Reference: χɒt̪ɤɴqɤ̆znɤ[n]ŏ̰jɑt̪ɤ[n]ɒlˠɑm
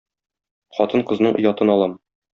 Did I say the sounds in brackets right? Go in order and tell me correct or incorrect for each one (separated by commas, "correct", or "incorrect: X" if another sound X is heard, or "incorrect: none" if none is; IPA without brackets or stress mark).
incorrect: ɴ, correct